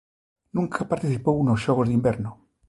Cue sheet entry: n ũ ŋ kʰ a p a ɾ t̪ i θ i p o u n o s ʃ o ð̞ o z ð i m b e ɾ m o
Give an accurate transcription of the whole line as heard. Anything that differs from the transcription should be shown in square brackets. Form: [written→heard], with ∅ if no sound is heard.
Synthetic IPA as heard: n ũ ŋ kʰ a p a ɾ t̪ i θ i p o u n o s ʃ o [ð̞→ɣ̞] o z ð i m b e ɾ [m→n] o